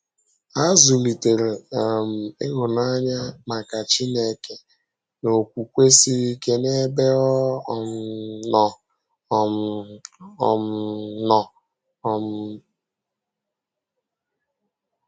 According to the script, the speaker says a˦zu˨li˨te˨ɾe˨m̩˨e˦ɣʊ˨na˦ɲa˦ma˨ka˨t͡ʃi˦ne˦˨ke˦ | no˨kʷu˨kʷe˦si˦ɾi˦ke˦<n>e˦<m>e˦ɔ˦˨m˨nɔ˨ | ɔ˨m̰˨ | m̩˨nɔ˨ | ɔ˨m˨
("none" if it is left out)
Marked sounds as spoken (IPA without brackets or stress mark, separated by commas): n, b